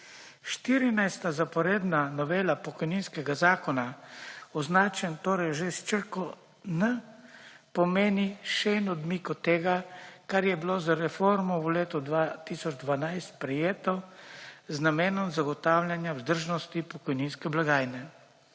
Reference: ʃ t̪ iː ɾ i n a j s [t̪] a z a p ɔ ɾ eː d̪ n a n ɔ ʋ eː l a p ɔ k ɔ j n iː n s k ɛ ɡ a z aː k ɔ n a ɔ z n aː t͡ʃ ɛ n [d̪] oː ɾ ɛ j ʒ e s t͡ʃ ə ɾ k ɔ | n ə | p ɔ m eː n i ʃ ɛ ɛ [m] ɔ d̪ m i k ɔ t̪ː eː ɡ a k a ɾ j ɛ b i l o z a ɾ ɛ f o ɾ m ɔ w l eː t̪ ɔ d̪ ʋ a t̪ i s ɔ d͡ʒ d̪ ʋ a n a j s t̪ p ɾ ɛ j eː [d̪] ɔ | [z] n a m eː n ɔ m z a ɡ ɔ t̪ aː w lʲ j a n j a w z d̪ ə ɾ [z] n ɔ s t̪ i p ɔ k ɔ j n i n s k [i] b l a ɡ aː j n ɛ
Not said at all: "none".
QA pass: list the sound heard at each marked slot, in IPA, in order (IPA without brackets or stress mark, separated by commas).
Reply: t̪, t̪, n, t̪, z, ʒ, ɛ